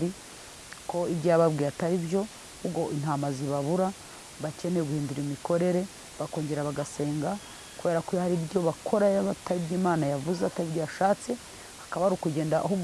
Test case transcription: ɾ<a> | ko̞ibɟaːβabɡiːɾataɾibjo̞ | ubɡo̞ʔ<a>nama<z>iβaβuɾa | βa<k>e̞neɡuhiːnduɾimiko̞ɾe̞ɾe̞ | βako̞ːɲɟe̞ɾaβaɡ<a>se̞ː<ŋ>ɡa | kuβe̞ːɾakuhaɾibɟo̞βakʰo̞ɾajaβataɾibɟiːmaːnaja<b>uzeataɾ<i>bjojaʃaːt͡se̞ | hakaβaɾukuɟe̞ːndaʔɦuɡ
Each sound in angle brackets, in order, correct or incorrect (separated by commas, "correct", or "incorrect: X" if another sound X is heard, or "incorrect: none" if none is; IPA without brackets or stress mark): incorrect: i, incorrect: i, correct, incorrect: c, correct, correct, incorrect: v, correct